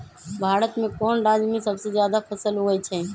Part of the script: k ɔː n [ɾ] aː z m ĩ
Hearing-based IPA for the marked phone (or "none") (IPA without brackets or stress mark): ɾ